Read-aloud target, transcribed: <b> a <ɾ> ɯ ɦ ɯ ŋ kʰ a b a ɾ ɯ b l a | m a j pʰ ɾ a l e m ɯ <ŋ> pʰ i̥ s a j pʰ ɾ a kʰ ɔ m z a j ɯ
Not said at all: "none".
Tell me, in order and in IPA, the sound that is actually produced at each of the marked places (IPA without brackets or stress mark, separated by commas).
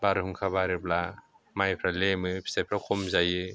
b, ɾ, none